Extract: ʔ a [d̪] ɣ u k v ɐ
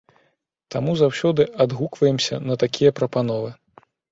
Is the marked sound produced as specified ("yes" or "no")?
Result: yes